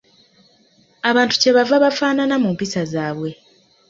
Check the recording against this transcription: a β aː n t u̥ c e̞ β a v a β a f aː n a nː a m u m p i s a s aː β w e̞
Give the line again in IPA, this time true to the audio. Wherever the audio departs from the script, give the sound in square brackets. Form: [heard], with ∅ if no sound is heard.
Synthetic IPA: a β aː n t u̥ c e̞ β a v a β a f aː n a [n] a m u m p i s a [z] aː β w e̞